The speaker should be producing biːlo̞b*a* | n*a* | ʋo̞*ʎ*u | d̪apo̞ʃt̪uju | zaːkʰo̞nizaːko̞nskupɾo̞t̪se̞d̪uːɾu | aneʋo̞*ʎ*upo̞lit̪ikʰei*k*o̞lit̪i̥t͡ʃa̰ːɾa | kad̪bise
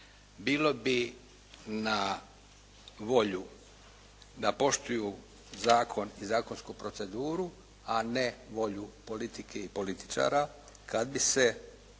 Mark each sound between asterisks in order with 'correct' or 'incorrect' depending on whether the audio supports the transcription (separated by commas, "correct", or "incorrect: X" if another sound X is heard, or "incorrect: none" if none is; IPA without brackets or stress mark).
incorrect: i, correct, correct, correct, incorrect: p